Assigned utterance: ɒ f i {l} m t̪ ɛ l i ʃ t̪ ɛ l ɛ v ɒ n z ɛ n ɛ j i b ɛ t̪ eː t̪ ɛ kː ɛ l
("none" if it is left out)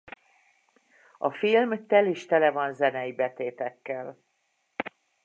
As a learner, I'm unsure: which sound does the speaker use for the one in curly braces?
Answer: l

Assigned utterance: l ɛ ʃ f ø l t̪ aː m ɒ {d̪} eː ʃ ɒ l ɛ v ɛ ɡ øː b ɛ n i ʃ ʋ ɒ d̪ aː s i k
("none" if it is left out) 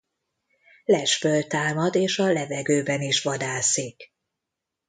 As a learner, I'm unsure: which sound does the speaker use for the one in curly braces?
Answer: d̪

